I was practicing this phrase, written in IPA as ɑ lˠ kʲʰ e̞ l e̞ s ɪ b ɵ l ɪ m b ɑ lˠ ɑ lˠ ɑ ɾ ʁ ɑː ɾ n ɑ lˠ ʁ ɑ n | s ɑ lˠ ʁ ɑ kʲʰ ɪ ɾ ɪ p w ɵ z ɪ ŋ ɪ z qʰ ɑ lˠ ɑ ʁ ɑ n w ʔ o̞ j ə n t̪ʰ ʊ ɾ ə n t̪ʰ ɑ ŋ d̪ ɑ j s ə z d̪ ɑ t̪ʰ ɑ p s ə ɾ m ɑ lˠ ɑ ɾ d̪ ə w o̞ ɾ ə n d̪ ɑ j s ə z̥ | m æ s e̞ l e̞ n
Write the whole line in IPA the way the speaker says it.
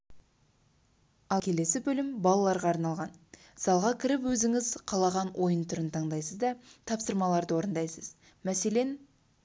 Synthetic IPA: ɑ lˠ kʲʰ e̞ l e̞ s ɪ b ɵ l ɪ m b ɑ lˠ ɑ lˠ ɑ ɾ ʁ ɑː ɾ n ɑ lˠ ʁ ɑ n | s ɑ lˠ ʁ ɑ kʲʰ ɪ ɾ ɪ p w ɵ z ɪ ŋ ɪ z qʰ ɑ lˠ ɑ ʁ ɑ n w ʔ o̞ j ə n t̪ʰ ʊ ɾ ə n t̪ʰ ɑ ɴ d̪ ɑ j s ə z d̪ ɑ t̪ʰ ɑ p s ə ɾ m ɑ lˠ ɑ ɾ d̪ ə w o̞ ɾ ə n d̪ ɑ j s ə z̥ | m æ s e̞ l e̞ n